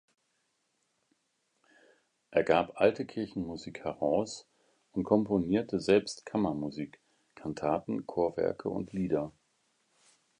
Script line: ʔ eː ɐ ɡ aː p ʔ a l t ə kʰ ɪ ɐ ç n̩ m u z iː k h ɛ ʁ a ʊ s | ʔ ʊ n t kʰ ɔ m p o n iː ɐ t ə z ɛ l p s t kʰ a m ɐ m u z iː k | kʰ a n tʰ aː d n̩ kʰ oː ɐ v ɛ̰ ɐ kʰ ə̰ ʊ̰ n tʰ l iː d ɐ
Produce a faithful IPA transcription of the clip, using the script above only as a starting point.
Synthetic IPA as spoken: ʔ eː ɐ ɡ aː p ʔ a l t ə kʰ ɪ ɐ ç n̩ m u z iː k h ɛ ʁ a ʊ s | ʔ ʊ n t kʰ ɔ m p o n iː ɐ t ə z ɛ l p s t kʰ a m ɐ m u z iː k | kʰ a n tʰ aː t n̩ kʰ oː ɐ v ɛ̰ ɐ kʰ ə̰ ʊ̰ n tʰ l iː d ɐ